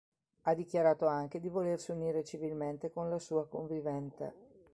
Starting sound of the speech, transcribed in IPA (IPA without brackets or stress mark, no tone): a